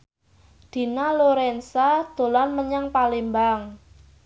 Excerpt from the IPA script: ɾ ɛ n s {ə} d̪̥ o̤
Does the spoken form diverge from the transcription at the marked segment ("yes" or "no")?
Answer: yes